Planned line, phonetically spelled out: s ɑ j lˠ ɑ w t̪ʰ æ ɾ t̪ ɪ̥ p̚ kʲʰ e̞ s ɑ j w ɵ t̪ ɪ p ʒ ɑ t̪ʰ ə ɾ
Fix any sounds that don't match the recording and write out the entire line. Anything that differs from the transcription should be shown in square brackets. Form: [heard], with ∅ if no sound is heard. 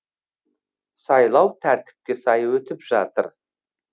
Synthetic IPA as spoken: s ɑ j lˠ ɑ w t̪ʰ æ ɾ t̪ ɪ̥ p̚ [kʲ] e̞ s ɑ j w ɵ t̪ ɪ p ʒ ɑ [t̪] ə ɾ